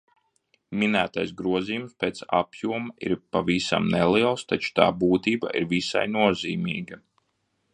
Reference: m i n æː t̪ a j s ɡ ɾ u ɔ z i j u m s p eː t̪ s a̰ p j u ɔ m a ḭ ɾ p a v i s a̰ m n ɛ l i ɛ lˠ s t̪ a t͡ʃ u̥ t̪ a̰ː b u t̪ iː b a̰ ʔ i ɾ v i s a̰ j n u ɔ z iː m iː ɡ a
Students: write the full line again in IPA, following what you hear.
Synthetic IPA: m i n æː t̪ a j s ɡ ɾ u ɔ z i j u m s p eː t̪ s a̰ p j u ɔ m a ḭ ɾ p a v i s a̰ m n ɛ l i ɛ lˠ s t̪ a t͡ʃ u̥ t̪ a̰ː b uː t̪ iː b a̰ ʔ i ɾ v i s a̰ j n u ɔ z iː m iː ɡ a